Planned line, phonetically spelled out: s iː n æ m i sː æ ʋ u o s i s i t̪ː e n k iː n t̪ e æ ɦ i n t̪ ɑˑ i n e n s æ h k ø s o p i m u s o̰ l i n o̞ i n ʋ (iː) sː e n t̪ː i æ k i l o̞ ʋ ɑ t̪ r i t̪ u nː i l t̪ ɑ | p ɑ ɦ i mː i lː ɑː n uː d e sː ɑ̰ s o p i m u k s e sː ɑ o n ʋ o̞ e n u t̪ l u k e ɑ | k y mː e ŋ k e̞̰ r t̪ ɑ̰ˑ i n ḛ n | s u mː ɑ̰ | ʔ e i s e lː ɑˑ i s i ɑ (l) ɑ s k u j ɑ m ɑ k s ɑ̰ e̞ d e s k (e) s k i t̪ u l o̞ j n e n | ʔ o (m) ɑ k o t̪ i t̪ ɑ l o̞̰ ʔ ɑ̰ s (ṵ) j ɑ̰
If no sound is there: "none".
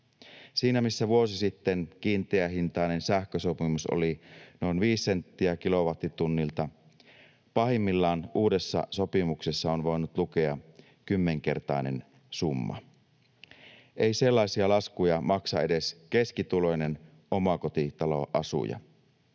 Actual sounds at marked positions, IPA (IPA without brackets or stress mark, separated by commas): iː, l, e, m, ṵ